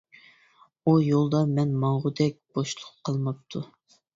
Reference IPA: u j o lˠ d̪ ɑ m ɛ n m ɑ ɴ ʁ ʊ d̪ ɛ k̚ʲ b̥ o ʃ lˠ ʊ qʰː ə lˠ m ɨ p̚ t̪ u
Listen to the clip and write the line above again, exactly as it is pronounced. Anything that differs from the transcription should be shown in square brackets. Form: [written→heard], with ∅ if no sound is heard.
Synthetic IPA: u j o lˠ d̪ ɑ m ɛ n m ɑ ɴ ʁ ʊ d̪ ɛ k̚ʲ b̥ o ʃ lˠ ʊ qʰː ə lˠ m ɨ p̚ [t̪→t̪ʰ] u